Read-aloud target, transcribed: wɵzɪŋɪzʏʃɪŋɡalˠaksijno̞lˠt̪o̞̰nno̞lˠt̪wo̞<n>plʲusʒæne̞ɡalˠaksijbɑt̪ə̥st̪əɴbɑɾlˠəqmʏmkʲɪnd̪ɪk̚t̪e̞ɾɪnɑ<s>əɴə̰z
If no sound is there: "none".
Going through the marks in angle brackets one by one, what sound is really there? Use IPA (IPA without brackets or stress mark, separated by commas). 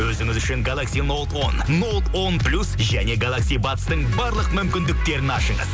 n, ʃ